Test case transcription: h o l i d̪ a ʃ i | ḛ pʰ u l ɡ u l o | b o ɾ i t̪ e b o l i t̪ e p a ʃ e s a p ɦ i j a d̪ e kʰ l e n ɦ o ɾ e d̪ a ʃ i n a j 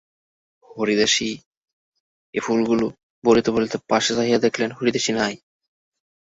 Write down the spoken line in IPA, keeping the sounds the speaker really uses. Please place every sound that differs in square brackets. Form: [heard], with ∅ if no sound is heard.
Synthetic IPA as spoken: h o [ɾ] i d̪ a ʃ i | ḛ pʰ u l ɡ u l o | b o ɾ i t̪ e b o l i t̪ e p a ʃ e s a [∅] ɦ i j a d̪ e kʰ l e n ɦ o ɾ [i] d̪ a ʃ i n a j